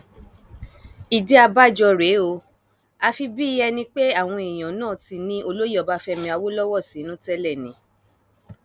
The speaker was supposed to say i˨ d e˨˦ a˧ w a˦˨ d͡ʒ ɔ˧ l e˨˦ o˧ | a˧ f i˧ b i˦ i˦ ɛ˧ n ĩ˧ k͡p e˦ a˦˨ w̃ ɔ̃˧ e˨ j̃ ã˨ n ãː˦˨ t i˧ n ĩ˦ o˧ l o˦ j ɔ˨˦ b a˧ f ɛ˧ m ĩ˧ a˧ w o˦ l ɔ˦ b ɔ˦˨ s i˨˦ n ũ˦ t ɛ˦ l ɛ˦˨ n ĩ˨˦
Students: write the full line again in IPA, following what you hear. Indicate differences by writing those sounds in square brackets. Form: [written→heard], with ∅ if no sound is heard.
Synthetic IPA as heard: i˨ d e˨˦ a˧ [w→b] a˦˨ d͡ʒ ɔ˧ [l→ɾ] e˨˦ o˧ | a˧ f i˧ b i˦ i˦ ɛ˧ n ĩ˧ k͡p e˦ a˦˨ w̃ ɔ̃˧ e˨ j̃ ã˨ n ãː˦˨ t i˧ n ĩ˦ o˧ l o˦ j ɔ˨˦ b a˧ f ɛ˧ m ĩ˧ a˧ w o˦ l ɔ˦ [b→w] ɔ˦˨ s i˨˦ n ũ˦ t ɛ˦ l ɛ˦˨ n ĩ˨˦